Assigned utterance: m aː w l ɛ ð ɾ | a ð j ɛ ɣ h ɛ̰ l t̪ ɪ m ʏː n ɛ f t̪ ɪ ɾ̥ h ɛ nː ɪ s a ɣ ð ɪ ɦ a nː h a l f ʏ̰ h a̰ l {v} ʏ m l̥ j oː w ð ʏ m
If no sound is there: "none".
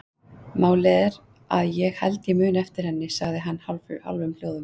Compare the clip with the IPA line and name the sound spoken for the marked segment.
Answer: v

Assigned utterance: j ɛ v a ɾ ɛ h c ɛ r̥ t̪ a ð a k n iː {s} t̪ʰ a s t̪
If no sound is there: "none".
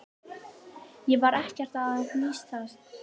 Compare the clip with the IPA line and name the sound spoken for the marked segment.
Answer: s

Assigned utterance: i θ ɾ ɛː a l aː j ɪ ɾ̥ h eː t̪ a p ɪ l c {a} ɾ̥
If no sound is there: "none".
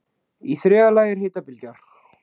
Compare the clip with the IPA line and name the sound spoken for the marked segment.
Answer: a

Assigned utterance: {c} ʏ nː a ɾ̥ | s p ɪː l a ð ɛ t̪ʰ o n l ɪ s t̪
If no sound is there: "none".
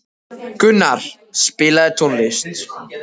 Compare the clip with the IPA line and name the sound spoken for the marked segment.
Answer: k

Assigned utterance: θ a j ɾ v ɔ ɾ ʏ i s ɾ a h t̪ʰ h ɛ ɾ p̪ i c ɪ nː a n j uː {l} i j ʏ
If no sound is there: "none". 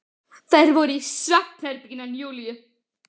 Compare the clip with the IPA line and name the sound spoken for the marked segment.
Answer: l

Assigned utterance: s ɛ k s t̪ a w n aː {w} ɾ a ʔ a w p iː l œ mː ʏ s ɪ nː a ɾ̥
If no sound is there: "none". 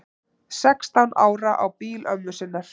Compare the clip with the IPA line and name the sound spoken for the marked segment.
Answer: w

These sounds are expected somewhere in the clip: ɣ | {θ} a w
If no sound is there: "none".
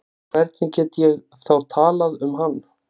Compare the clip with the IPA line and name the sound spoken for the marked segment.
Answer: θ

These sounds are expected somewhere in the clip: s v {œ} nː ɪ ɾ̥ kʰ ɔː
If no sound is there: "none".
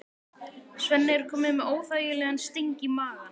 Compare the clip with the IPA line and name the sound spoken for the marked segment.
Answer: ɛ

